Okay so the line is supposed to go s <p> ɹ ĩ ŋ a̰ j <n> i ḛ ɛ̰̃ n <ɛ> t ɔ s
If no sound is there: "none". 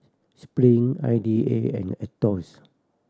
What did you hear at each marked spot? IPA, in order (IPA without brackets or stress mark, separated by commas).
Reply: p, d, ɛ